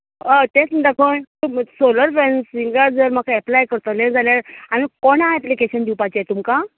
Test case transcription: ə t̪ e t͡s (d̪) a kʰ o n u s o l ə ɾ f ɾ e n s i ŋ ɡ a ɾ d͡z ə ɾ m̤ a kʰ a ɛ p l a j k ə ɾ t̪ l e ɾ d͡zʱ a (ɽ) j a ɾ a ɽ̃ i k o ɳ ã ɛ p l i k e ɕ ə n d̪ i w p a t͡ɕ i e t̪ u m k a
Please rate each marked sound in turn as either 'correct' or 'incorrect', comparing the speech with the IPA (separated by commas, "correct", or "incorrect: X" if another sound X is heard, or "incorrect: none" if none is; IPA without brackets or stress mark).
correct, incorrect: l